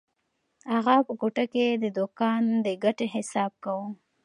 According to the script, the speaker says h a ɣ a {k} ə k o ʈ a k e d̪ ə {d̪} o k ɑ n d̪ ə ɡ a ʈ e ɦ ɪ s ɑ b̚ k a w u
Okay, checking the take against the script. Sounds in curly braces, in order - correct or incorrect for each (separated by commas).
incorrect, correct